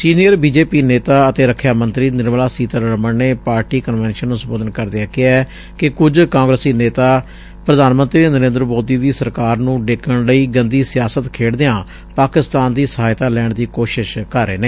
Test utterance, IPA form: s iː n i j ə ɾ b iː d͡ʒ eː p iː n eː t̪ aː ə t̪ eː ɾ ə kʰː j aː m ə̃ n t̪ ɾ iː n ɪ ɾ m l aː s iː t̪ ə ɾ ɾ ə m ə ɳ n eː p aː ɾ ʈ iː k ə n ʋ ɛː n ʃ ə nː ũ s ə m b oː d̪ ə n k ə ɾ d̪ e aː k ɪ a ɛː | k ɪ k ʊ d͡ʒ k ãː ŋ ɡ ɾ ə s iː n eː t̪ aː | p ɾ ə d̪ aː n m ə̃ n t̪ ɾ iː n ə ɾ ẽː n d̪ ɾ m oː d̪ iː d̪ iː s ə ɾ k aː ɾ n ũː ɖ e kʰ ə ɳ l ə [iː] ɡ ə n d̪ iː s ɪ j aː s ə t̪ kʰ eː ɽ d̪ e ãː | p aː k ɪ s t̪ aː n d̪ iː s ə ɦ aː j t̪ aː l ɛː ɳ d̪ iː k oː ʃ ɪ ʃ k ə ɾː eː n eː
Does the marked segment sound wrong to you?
no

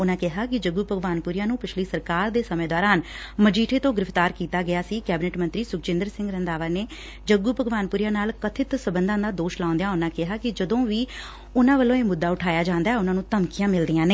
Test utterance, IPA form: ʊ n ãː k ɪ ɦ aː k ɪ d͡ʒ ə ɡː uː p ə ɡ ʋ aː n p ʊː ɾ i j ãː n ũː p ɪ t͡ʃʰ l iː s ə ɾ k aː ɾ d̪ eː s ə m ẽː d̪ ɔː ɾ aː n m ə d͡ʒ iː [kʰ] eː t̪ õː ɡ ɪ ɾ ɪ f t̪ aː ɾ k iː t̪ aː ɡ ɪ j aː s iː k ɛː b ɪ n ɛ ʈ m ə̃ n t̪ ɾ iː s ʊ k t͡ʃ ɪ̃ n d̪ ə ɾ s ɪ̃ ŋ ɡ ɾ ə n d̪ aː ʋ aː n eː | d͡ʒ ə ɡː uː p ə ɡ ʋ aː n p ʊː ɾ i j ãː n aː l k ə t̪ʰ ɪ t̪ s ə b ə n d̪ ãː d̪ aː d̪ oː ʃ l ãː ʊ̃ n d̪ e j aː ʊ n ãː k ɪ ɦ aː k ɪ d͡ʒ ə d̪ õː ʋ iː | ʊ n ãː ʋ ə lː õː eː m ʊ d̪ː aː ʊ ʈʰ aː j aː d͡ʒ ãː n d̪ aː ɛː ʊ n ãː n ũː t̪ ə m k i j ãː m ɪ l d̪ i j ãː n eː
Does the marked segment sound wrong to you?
yes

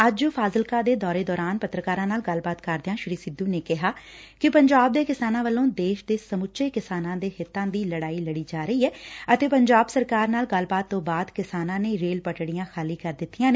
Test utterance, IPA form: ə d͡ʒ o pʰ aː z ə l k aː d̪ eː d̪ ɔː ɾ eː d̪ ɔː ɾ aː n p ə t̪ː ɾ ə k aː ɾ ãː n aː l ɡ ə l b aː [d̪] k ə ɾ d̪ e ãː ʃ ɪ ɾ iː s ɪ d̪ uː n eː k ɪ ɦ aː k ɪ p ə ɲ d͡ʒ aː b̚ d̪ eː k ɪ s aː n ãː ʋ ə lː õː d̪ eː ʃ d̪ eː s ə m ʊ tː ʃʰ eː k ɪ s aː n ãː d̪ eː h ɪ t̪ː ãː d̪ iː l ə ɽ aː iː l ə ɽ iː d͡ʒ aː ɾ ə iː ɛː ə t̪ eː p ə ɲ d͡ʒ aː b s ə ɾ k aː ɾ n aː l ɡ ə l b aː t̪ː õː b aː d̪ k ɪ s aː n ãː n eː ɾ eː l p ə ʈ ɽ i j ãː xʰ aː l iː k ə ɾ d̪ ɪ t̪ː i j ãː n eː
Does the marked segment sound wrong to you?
yes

